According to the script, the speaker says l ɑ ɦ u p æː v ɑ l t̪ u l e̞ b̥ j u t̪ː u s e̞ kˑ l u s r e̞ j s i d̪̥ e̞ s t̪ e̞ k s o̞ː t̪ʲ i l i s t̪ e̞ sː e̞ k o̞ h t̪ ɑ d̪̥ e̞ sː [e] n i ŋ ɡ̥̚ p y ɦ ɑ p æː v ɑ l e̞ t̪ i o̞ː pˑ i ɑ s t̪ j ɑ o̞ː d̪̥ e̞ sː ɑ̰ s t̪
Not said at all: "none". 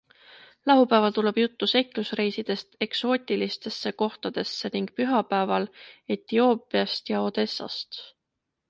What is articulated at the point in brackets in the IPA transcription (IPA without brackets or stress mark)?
e